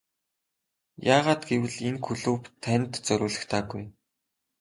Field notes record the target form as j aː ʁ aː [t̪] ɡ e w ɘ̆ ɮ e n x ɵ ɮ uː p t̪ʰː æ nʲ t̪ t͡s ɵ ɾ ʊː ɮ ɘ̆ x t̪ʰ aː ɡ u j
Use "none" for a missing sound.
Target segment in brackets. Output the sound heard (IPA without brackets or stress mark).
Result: t̪